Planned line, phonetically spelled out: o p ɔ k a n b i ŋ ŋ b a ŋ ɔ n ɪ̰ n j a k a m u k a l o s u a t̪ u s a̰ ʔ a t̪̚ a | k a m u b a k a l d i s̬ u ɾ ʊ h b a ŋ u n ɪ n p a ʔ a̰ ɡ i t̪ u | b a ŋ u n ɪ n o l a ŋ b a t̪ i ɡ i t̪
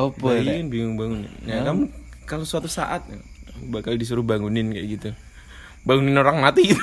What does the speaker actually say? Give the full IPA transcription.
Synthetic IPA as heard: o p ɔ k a n b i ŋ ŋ b a ŋ u n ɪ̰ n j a k a m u k a l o s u a t̪ u s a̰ ʔ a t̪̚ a | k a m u b a k a l d i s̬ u ɾ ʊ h b a ŋ u n ɪ n k a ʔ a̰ ɡ i t̪ u | b a ŋ u n ɪ n o ɾ a ŋ m a t̪ i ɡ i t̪